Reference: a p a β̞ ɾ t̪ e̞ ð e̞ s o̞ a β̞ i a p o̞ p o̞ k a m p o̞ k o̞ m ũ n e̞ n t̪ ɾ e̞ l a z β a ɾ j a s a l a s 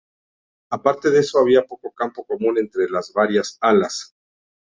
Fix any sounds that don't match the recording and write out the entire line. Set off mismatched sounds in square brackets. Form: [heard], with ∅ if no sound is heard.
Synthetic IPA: a p a [∅] ɾ t̪ e̞ ð e̞ s o̞ a β̞ i a p o̞ [k] o̞ k a m p o̞ k o̞ m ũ n e̞ n t̪ ɾ e̞ l a z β a ɾ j a s a l a s